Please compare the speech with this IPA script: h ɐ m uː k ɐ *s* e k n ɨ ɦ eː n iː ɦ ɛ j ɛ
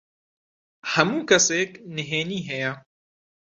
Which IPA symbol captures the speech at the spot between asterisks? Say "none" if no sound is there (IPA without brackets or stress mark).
s